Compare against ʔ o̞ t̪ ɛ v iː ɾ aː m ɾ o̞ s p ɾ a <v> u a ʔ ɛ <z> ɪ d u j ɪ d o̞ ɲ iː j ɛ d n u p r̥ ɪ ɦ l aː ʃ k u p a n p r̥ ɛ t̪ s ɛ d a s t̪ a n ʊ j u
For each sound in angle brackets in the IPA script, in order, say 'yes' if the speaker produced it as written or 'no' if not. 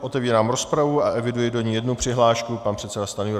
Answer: yes, no

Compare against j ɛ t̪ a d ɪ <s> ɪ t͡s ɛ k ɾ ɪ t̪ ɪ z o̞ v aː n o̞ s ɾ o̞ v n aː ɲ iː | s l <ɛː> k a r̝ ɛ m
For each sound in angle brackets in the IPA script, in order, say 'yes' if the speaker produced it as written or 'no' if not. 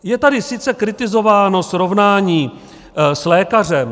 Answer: yes, yes

